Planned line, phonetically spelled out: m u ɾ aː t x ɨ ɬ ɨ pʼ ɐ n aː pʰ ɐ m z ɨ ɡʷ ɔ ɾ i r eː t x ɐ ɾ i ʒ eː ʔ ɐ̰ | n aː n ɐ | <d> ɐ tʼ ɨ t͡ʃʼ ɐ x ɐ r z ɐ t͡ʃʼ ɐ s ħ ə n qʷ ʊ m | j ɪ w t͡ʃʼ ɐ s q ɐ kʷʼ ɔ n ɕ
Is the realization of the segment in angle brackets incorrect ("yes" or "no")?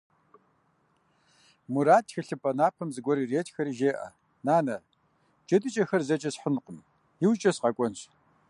yes